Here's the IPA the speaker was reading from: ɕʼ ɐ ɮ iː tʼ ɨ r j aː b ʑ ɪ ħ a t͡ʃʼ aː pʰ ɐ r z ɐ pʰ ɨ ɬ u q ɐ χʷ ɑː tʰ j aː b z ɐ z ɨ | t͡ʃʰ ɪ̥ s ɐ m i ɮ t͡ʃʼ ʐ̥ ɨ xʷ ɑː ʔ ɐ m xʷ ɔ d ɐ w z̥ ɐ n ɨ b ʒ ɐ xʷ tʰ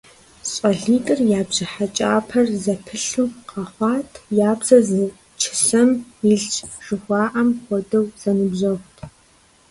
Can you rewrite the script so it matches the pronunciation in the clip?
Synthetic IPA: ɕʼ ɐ ɮ iː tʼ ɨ r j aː b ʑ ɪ ħ a t͡ʃʼ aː pʰ ɐ r z ɐ pʰ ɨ ɬ u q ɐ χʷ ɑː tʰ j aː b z ɐ z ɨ | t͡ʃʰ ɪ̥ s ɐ m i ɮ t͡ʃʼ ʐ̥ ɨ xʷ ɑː ʔ ɐ m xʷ ɔ d ɐ w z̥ ɐ n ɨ b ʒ ɐ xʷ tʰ